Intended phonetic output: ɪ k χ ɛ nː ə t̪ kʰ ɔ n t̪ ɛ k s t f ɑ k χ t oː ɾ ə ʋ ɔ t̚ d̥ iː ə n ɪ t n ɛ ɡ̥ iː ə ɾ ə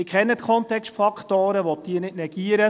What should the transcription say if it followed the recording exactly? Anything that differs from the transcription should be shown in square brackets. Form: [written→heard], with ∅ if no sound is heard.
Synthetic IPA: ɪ k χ ɛ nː ə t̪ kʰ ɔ n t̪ ɛ k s t f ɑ k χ t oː ɾ ə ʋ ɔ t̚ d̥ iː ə n ɪ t n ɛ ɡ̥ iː ə ɾ ə